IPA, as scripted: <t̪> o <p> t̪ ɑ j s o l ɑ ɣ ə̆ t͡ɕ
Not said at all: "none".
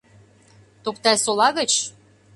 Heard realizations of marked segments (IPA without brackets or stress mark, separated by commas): t̪, p